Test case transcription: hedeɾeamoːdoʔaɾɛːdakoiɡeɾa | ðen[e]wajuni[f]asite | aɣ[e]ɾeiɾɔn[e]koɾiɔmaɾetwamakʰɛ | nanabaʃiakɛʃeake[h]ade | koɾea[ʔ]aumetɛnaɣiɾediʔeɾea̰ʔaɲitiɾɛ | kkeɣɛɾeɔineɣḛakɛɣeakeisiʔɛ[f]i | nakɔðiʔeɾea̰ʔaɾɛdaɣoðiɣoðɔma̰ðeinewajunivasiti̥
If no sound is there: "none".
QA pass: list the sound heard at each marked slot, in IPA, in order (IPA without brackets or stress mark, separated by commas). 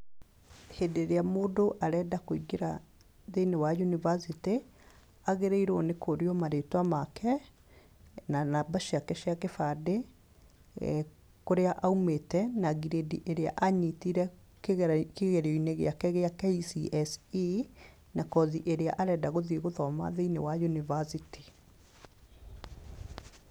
e, v, e, e, f, ʔ, s